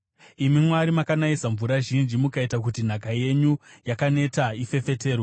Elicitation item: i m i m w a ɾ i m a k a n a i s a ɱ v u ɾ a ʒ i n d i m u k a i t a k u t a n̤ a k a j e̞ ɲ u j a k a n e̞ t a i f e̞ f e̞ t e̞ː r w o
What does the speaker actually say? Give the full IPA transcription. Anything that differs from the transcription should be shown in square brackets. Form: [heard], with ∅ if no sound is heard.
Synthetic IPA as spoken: i m i m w a ɾ i m a k a n a i s a ɱ v u ɾ a ʒ i n [d͡ʒ] i m u k a i t a k u t [i] n̤ a k a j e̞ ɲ u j a k a n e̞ t a i f e̞ f e̞ t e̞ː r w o